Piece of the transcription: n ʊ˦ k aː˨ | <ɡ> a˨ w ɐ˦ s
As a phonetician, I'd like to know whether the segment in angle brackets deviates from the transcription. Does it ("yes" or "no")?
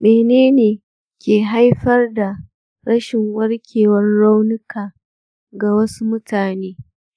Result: no